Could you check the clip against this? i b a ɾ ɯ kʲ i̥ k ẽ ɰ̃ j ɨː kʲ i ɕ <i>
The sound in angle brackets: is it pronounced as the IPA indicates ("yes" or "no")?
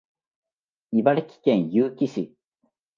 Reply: yes